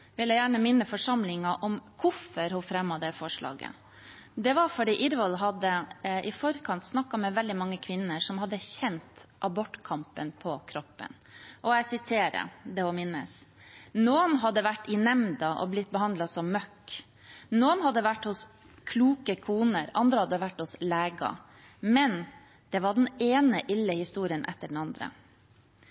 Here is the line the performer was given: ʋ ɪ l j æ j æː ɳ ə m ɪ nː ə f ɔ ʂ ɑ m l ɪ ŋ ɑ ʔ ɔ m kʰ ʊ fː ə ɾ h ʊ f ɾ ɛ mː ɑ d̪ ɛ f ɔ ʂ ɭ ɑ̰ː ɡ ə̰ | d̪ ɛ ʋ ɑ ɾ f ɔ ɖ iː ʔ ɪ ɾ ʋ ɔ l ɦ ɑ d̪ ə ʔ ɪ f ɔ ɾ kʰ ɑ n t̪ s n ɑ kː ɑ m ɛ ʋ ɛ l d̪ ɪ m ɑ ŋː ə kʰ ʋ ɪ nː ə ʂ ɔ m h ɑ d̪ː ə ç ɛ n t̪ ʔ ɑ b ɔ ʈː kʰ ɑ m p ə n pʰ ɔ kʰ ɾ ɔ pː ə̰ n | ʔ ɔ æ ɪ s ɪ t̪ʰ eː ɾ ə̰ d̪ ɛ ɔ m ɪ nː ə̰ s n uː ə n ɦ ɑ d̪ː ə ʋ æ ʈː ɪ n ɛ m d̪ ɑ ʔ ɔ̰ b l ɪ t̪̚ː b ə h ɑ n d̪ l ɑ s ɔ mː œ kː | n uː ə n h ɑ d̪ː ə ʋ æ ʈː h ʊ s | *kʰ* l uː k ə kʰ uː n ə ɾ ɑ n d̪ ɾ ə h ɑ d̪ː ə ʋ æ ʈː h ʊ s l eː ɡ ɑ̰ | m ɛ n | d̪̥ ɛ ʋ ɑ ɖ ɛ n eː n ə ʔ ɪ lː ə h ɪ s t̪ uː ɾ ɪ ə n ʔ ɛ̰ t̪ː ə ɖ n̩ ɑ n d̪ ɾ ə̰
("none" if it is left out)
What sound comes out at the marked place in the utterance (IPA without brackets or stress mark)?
kʰ